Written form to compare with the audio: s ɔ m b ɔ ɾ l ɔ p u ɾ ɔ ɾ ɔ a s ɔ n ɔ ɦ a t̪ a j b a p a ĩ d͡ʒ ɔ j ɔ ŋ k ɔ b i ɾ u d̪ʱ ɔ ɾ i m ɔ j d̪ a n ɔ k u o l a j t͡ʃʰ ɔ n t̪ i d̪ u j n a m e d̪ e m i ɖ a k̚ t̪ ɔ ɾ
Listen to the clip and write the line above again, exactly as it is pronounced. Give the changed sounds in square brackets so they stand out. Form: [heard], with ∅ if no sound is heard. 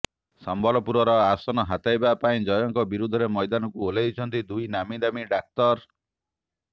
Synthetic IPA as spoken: s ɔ m b ɔ [∅] l ɔ p u ɾ ɔ ɾ ɔ a s ɔ n ɔ ɦ a t̪ a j b a p a ĩ d͡ʒ ɔ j ɔ ŋ k ɔ b i ɾ u d̪ʱ ɔ ɾ [e] m ɔ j d̪ a n ɔ k u o l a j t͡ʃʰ ɔ n t̪ i d̪ u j n a m [i] d̪ [a] m i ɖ a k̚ t̪ ɔ ɾ

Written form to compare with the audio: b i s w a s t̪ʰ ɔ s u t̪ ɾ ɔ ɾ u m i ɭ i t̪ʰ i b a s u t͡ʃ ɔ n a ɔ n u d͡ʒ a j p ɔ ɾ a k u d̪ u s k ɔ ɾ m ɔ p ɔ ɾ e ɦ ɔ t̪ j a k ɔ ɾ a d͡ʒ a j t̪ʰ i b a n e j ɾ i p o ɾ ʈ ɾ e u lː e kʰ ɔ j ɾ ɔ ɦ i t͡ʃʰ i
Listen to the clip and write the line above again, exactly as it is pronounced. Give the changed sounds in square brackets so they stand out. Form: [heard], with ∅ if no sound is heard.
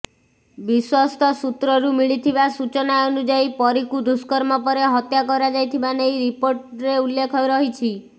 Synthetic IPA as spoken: b i s w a s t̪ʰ ɔ s u t̪ ɾ ɔ ɾ u m i ɭ i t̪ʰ i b a s u t͡ʃ ɔ n a ɔ n u d͡ʒ a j p ɔ ɾ [i] k u d̪ u s k ɔ ɾ m ɔ p ɔ ɾ e ɦ ɔ t̪ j a k ɔ ɾ a d͡ʒ a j t̪ʰ i b a n e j ɾ i p o ɾ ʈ ɾ e u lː e kʰ ɔ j ɾ ɔ ɦ i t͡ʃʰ i

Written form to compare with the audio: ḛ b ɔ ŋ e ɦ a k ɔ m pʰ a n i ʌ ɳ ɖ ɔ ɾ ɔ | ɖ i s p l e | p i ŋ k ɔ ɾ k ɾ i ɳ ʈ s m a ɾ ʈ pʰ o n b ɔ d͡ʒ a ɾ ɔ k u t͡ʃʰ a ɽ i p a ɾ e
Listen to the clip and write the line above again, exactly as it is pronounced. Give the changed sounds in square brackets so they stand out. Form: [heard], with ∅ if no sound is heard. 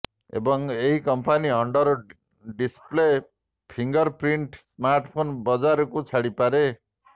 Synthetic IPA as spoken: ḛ b ɔ ŋ e ɦ [i] k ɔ m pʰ a n i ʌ ɳ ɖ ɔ ɾ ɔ | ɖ i s p l e | [pʰ] i ŋ [ɡ] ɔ ɾ [p] ɾ i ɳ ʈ s m a ɾ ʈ pʰ o n b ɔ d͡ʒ a ɾ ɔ k u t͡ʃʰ a ɽ i p a ɾ e

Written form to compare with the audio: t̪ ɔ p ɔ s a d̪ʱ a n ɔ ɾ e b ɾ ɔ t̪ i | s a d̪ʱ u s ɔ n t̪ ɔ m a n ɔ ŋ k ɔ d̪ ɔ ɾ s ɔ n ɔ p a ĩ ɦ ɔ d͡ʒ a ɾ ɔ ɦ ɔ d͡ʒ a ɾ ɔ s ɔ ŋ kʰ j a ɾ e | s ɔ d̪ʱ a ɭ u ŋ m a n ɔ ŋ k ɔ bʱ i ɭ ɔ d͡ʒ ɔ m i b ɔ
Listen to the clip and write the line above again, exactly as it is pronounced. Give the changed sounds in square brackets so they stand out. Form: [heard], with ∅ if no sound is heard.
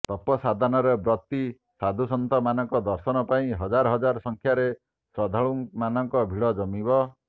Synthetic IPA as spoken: t̪ ɔ p ɔ s a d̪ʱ a n ɔ ɾ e b ɾ ɔ t̪ i | s a d̪ʱ u s ɔ n t̪ ɔ m a n ɔ ŋ k ɔ d̪ ɔ ɾ s ɔ n ɔ p a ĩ ɦ ɔ d͡ʒ a ɾ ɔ ɦ ɔ d͡ʒ a ɾ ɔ s ɔ ŋ kʰ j a ɾ e | s ɔ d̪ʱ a ɭ u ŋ m a n ɔ ŋ k ɔ bʱ i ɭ ɔ d͡ʒ ɔ m i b ɔ

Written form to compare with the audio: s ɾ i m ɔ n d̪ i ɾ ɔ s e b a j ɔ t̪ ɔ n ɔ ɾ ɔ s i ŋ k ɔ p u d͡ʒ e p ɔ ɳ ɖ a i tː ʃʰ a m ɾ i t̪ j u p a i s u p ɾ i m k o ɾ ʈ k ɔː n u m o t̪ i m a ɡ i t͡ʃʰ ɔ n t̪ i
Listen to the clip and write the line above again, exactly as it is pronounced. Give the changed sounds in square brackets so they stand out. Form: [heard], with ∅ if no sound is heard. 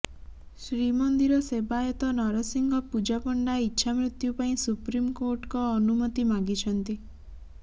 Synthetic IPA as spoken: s ɾ i m ɔ n d̪ i ɾ ɔ s e b a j ɔ t̪ ɔ n ɔ ɾ ɔ s i ŋ [ɡ] ɔ p u d͡ʒ [a] p ɔ ɳ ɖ a i tː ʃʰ a m ɾ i t̪ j u p a [ĩ] s u p ɾ i m k o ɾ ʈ k ɔː n u m [ɔ] t̪ i m a ɡ i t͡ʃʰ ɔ n t̪ i

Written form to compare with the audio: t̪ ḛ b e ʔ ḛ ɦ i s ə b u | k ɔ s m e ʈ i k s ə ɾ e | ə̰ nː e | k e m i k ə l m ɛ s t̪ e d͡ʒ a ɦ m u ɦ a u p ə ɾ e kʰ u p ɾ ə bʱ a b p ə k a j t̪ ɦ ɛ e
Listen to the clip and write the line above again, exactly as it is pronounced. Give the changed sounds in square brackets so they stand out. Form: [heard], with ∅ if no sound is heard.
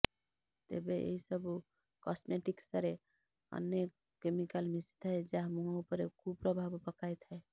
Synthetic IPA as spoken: t̪ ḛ b e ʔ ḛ ɦ i s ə b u | k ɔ s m e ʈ i k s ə ɾ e | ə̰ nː e | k e m i k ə l m [i] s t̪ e d͡ʒ a ɦ m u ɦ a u p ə ɾ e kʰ u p ɾ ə bʱ a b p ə k a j t̪ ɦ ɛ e

